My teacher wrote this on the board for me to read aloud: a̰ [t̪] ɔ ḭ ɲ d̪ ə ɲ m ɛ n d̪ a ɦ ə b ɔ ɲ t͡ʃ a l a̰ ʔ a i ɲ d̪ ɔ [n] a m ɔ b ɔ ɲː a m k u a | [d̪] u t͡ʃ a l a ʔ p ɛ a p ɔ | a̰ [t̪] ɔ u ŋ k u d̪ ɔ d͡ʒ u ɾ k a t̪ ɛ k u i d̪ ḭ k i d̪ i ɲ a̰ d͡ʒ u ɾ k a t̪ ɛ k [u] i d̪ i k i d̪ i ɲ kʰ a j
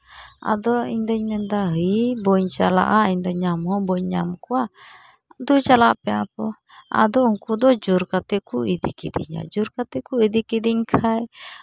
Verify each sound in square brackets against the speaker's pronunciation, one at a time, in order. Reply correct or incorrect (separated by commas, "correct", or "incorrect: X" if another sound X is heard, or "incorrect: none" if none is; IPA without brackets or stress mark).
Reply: incorrect: d̪, incorrect: ɲ, correct, incorrect: d̪, correct